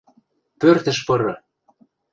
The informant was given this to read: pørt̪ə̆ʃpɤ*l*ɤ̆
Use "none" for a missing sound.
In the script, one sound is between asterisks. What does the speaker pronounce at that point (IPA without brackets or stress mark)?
ɾ